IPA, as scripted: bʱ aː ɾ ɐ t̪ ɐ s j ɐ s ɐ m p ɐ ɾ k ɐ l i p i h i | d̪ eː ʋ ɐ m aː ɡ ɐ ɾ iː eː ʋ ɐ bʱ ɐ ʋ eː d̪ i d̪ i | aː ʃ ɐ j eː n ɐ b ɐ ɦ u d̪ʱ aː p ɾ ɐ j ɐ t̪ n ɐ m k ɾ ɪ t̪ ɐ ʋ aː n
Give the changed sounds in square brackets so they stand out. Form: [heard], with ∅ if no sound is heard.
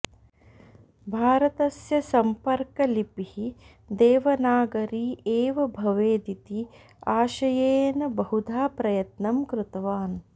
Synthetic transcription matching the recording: bʱ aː ɾ ɐ t̪ ɐ s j ɐ s ɐ m p ɐ ɾ k ɐ l i p i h i | d̪ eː ʋ ɐ [n] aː ɡ ɐ ɾ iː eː ʋ ɐ bʱ ɐ ʋ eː d̪ i [t̪] i | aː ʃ ɐ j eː n ɐ b ɐ ɦ u d̪ʱ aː p ɾ ɐ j ɐ t̪ n ɐ m k ɾ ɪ t̪ ɐ ʋ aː n